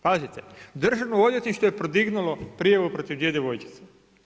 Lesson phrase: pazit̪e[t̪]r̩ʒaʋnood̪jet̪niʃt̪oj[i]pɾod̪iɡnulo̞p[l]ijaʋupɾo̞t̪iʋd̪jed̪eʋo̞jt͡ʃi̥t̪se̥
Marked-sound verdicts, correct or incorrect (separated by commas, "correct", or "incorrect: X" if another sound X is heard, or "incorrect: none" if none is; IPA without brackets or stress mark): incorrect: d̪, incorrect: e, incorrect: ɾ